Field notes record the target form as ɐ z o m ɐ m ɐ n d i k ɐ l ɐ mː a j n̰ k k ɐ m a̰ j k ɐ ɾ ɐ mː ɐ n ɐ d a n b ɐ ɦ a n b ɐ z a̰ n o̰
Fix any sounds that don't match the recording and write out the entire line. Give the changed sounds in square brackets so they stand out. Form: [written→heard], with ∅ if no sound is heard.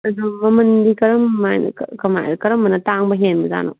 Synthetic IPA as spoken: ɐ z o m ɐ m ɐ n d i k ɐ [l→ɾ] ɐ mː a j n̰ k k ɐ m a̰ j k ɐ ɾ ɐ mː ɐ n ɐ [d→t] a [n→ŋ] b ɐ ɦ [a→e] n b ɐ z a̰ n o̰